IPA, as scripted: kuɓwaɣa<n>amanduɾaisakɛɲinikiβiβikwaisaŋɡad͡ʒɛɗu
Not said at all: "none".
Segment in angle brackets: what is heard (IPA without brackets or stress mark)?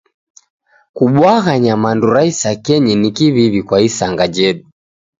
ɲ